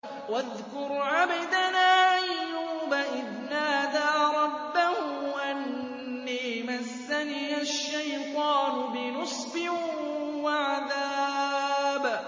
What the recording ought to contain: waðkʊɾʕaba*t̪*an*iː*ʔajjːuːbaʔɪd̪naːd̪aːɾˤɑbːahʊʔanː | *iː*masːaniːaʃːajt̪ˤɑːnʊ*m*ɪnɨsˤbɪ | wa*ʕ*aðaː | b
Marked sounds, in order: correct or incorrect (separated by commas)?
incorrect, incorrect, correct, incorrect, correct